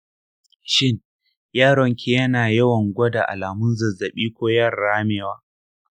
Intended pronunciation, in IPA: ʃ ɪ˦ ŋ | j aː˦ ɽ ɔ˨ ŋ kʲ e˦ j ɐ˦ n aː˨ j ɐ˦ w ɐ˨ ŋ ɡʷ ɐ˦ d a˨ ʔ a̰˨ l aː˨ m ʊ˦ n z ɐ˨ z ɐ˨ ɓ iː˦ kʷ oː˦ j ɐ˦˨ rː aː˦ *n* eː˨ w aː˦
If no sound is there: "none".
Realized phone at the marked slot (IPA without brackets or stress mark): m